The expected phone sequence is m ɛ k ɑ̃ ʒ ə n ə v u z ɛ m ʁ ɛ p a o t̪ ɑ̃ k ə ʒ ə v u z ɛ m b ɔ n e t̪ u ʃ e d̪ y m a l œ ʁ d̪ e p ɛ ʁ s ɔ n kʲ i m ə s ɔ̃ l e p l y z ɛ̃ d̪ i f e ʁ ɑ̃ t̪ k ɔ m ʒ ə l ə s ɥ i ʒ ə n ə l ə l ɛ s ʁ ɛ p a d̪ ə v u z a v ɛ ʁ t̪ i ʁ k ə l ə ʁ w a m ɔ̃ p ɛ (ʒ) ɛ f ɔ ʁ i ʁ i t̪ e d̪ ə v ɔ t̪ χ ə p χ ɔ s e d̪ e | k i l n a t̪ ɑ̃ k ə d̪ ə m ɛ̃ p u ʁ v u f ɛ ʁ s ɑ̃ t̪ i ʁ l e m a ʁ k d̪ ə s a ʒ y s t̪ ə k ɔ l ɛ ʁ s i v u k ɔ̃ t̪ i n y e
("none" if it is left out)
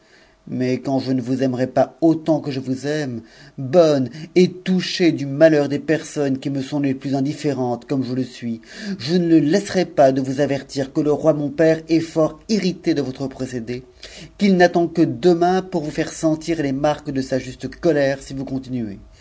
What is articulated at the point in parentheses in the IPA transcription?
ʁ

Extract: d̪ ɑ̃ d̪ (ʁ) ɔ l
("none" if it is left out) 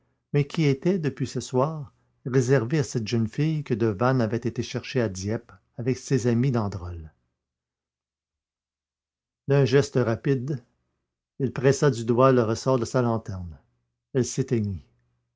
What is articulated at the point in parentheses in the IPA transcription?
ʁ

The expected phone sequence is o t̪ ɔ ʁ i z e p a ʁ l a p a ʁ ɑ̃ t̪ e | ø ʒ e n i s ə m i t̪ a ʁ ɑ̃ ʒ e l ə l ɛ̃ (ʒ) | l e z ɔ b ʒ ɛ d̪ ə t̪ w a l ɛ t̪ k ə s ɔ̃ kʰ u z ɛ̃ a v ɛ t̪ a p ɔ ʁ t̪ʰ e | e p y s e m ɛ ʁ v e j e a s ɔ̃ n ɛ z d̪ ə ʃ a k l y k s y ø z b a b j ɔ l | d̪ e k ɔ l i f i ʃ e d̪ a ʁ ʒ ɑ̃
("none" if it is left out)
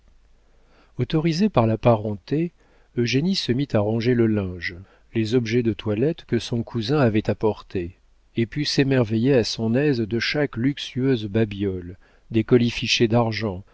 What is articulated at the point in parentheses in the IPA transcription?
ʒ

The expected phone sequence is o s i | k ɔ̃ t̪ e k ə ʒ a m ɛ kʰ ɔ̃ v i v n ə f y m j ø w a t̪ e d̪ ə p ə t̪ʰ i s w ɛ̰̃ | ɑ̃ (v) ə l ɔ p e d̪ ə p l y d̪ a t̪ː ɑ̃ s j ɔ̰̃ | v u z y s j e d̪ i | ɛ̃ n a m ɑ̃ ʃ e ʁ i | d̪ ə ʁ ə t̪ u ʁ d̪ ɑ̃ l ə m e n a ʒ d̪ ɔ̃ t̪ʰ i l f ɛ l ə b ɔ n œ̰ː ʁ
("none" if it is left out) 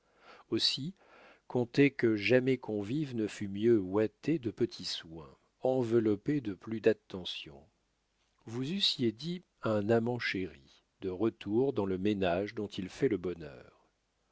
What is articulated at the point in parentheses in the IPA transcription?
v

